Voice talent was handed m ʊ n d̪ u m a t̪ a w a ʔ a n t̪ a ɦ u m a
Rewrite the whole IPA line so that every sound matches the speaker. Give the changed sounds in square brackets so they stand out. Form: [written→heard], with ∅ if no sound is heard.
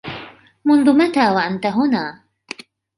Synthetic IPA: m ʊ n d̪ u m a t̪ a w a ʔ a n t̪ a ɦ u [m→n] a